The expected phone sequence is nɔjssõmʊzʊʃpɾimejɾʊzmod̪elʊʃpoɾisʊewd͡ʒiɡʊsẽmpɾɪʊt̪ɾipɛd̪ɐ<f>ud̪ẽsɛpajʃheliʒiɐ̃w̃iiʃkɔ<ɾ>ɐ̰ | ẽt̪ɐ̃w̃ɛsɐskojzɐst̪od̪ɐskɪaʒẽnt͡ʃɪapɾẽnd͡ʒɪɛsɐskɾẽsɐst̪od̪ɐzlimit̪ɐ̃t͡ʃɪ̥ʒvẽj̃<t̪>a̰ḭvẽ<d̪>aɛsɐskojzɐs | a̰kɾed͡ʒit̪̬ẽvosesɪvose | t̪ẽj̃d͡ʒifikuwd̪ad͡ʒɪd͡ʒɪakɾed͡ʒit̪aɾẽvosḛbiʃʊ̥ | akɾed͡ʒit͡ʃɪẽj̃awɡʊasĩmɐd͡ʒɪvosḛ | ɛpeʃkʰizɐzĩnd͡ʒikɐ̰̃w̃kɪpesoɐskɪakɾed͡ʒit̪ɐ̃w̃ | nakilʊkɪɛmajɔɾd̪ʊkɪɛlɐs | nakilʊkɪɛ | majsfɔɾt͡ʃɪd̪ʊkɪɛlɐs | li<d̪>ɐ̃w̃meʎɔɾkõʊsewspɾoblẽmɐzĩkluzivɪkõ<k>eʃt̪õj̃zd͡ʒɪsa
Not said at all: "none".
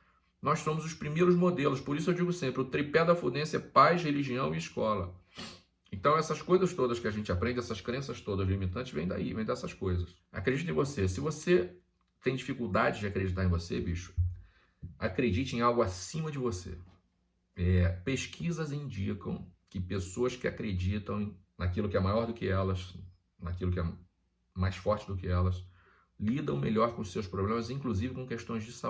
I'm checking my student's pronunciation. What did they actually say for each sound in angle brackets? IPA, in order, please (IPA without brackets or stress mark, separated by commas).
f, l, d̪, d̪, d̪, k